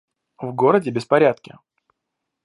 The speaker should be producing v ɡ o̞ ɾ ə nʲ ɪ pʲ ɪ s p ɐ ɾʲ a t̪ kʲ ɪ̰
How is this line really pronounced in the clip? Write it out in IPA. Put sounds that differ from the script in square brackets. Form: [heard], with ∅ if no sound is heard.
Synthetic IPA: v ɡ o̞ ɾ ə [dʲ] ɪ [bʲ] ɪ s p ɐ ɾʲ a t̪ kʲ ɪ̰